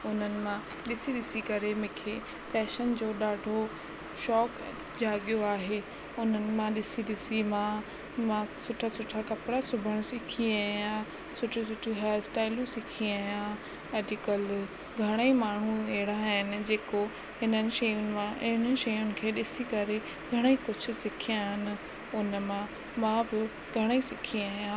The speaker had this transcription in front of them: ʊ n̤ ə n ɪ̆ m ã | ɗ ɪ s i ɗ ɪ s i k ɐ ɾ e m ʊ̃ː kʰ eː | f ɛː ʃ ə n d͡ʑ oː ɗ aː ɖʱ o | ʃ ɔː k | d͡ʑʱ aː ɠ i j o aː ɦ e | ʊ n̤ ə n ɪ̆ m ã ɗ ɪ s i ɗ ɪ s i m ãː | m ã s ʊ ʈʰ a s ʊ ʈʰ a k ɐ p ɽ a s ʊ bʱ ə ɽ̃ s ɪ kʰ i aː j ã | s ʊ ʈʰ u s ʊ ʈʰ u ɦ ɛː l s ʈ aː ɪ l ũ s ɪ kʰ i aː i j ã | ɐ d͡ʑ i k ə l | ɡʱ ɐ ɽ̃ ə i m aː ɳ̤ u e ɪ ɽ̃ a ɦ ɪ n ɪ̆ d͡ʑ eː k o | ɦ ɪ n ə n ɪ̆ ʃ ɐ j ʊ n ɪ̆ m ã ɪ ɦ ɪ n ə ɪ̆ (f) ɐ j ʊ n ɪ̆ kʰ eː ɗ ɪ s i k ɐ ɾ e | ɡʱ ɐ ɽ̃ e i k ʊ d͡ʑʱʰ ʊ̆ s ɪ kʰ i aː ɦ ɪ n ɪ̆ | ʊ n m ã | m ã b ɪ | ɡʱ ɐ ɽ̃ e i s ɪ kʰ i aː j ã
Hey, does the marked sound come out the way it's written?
no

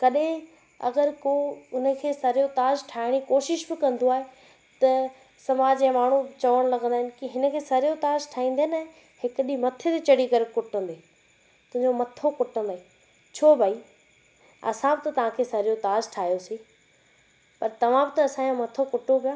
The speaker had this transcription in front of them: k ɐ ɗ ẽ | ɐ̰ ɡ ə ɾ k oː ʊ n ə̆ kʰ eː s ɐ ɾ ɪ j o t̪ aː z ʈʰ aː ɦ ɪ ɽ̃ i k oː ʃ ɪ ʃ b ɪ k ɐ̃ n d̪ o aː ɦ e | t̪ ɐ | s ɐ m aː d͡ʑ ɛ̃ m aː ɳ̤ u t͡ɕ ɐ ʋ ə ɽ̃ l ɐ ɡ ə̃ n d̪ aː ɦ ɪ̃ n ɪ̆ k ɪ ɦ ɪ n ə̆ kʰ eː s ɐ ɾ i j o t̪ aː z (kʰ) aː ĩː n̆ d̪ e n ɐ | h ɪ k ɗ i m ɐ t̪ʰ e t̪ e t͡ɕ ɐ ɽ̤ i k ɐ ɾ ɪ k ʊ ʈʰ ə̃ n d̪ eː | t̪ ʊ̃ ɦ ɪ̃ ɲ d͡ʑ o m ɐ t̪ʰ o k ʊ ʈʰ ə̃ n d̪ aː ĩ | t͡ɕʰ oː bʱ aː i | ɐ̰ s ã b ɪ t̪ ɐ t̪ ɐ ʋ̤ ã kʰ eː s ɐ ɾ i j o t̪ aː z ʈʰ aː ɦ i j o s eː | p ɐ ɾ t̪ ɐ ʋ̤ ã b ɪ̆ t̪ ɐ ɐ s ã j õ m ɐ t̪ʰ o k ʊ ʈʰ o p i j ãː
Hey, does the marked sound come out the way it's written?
no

